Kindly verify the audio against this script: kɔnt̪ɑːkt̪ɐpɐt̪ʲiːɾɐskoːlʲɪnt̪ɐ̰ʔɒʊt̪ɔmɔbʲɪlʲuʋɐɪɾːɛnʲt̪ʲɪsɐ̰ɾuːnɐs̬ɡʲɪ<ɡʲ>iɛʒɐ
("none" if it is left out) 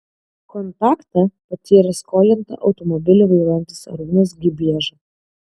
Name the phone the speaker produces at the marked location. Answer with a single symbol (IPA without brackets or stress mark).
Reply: bʲ